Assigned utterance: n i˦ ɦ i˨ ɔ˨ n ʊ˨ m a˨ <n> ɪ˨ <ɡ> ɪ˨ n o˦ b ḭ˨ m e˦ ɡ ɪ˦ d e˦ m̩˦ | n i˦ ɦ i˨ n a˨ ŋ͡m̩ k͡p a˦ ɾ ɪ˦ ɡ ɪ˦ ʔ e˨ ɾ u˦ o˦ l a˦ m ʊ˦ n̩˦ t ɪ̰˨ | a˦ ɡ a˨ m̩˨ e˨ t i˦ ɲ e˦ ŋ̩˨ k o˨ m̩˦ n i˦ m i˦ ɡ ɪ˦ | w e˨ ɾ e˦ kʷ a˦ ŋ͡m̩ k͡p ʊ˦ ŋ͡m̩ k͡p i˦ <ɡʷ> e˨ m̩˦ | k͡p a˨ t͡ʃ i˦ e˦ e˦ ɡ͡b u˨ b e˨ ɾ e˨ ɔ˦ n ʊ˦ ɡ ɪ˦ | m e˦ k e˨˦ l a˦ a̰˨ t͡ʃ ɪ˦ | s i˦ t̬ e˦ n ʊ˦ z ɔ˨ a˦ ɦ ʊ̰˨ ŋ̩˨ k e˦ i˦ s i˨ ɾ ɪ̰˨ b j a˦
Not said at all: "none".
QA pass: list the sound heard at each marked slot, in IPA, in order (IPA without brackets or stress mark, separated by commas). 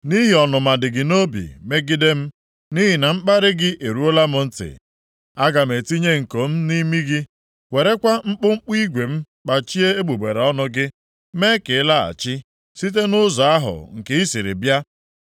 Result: d, ɡ, ɡʷ